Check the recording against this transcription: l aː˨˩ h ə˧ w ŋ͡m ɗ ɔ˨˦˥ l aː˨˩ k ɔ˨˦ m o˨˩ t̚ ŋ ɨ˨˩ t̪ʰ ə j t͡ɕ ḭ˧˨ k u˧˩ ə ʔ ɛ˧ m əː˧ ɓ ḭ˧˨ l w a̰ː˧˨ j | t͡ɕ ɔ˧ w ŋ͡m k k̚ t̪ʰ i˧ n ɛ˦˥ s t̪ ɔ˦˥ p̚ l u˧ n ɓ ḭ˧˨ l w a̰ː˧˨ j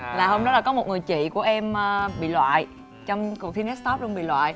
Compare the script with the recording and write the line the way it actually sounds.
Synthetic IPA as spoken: l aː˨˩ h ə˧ w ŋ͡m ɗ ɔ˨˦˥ l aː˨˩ k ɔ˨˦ m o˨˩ t̚ ŋ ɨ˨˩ ə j t͡ɕ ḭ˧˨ k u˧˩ ə ʔ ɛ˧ m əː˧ ɓ ḭ˧˨ l w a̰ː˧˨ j | t͡ɕ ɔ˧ w ŋ͡m k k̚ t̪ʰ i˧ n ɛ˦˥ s t̪ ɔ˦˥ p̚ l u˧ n ɓ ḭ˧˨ l w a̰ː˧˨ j